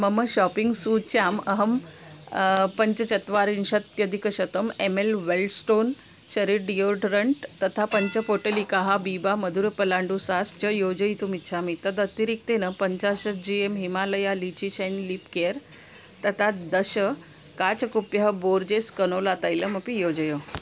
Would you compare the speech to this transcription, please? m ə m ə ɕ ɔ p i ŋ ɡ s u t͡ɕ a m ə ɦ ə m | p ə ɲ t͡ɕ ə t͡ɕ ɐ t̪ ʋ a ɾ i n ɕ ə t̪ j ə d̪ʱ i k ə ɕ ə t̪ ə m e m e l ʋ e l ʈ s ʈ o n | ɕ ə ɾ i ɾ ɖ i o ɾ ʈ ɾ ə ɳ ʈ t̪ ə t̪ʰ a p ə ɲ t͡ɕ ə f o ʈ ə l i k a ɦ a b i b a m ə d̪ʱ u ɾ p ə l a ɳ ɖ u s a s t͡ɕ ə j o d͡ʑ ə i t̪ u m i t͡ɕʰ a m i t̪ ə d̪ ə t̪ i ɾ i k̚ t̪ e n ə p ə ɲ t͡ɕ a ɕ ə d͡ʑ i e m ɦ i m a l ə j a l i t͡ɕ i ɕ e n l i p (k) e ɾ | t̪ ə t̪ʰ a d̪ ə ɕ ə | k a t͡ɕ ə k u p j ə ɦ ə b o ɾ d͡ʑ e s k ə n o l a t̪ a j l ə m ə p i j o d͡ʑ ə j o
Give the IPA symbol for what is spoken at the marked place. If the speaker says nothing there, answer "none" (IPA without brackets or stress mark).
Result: k